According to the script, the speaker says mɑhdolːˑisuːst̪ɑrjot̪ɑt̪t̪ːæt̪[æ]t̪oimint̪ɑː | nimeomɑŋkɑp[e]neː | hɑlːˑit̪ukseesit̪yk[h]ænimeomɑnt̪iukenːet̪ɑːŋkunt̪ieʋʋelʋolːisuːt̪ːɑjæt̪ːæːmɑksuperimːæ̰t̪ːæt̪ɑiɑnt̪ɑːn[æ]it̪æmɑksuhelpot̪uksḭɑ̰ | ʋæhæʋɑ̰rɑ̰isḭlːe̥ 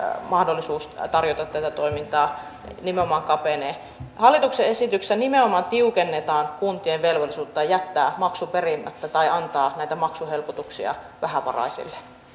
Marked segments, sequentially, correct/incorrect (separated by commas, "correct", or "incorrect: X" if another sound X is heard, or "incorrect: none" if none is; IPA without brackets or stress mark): correct, correct, incorrect: s, correct